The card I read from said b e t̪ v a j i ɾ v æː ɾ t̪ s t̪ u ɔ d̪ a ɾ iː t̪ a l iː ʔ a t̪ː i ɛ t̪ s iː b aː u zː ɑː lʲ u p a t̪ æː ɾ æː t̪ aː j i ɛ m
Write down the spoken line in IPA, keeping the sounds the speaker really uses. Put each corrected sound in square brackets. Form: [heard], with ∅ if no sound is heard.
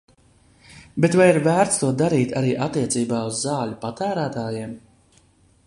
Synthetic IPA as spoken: b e t̪ v a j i ɾ v æː ɾ t̪ s t̪ u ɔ d̪ a ɾ iː t̪ a [ɾ] iː ʔ a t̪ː i ɛ t̪ s iː b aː u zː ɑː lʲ u p a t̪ æː ɾ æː t̪ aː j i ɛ m